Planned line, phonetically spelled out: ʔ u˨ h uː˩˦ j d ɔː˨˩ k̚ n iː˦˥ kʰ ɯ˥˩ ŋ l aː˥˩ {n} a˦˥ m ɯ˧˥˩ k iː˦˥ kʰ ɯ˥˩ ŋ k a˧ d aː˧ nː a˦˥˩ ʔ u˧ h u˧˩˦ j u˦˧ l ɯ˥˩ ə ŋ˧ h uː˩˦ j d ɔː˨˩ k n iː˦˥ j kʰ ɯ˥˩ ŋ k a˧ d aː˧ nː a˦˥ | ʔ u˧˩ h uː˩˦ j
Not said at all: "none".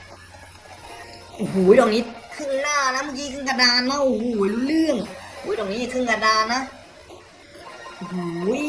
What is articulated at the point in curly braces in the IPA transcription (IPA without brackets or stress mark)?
n